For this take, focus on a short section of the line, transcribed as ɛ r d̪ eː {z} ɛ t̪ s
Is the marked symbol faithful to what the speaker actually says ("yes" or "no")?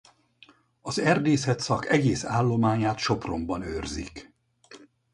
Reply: no